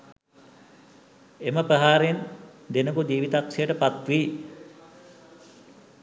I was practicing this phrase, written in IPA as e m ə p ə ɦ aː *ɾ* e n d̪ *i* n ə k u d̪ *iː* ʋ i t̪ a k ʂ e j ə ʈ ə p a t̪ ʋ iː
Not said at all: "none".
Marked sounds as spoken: ɾ, e, iː

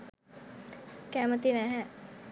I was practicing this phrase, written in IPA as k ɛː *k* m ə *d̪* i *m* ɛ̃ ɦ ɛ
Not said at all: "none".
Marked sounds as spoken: none, t̪, n

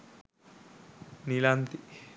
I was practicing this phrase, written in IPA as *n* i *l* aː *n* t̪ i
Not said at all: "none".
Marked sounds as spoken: n, l, n

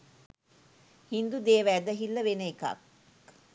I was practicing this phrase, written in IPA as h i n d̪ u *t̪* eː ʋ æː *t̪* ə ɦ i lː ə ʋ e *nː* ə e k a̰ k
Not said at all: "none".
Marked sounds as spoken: d̪, d̪, n

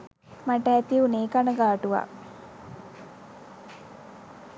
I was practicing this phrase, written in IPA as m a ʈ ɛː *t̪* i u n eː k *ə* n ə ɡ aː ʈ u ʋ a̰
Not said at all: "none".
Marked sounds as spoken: t̪, a

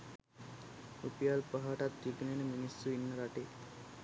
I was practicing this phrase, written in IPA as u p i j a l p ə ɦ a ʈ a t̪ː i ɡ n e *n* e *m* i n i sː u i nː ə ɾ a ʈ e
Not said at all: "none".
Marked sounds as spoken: n, m

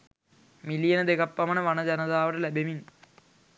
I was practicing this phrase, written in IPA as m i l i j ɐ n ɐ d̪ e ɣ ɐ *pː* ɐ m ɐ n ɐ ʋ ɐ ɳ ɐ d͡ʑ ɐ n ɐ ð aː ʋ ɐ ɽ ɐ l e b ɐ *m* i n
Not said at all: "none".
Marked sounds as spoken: pː, m

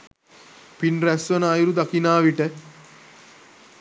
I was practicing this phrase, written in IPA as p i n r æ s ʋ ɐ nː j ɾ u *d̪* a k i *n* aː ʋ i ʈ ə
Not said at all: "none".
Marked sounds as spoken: d̪, n

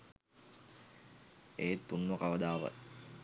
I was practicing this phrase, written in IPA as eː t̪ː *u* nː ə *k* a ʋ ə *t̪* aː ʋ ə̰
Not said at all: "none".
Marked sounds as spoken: u, k, d̪

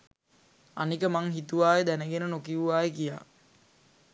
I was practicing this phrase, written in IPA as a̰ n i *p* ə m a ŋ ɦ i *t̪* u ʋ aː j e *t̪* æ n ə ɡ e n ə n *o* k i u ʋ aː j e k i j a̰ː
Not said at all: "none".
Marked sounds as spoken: k, t̪, d̪, o

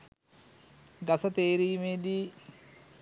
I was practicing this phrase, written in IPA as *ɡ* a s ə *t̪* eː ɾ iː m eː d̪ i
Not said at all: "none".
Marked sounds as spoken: ɡ, t̪

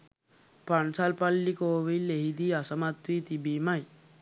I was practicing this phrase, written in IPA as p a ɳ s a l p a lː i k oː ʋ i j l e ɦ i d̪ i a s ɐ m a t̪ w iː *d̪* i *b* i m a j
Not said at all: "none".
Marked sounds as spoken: t̪, b

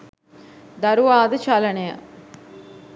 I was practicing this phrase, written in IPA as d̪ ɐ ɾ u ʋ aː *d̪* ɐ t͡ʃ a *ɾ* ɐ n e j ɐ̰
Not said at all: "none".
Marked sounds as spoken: d̪, l

